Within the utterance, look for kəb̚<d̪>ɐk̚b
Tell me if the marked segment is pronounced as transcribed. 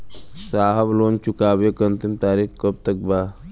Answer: no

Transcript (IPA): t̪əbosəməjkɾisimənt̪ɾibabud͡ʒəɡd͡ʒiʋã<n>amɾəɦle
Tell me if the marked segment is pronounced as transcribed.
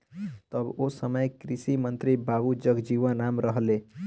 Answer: yes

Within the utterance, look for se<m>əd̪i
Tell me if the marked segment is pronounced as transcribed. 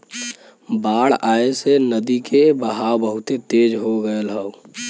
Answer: no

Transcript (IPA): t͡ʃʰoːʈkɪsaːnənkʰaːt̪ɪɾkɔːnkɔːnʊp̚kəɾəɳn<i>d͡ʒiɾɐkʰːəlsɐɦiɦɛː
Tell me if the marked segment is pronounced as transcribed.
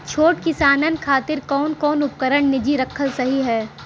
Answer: no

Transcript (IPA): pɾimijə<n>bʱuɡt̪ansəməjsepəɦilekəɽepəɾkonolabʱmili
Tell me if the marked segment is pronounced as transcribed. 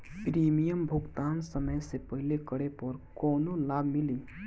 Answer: no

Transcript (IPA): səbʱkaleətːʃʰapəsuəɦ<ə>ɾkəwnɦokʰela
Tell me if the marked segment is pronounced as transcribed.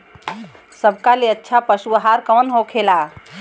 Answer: no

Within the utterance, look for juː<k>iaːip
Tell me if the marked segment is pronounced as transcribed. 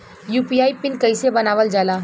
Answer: no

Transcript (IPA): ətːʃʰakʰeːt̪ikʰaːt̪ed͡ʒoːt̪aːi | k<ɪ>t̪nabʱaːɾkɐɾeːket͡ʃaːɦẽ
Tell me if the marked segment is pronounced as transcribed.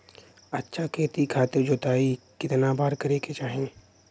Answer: yes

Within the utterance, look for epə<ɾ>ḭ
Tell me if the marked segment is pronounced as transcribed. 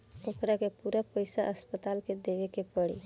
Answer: no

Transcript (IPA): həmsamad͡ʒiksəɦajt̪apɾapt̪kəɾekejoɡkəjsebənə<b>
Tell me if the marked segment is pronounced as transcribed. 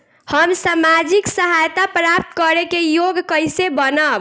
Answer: yes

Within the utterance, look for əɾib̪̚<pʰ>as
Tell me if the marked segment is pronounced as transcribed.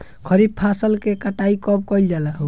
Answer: yes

